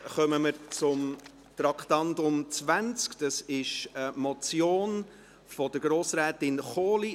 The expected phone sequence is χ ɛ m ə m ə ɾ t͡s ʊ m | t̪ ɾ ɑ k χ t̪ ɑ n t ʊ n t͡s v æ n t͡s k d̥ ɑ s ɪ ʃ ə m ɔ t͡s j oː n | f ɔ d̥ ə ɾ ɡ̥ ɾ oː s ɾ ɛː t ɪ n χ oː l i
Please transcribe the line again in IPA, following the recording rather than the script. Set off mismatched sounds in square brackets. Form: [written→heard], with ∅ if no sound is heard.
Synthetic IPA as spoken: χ [ɛ→œ] m ə m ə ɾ t͡s ʊ m | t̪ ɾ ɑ k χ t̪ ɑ n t ʊ [n→m] t͡s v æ n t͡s k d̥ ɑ s ɪ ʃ ə m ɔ t͡s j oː n | f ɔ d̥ ə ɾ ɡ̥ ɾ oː s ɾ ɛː t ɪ n χ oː l i